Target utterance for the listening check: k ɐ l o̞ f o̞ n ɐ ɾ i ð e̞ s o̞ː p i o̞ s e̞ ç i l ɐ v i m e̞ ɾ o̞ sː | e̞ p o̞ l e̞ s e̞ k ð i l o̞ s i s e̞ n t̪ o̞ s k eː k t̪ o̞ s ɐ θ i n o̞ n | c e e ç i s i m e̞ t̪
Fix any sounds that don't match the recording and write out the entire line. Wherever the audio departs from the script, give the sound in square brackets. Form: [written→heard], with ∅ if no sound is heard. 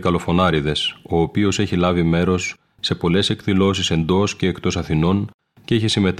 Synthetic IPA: k ɐ l o̞ f o̞ n ɐ ɾ i ð e̞ s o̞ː p i o̞ s e̞ ç i l ɐ v i m e̞ ɾ o̞ sː | e̞ p o̞ l e̞ s e̞ k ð i l o̞ s i s e̞ n [t̪→d̪] o̞ s [k→c] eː k t̪ o̞ s ɐ θ i n o̞ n | c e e ç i s i m e̞ t̪